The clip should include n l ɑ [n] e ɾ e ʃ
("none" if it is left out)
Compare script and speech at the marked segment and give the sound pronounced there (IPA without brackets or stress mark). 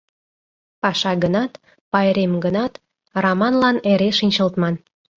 n